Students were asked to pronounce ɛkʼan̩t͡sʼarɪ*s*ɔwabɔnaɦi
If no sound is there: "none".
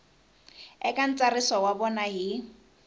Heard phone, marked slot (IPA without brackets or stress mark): s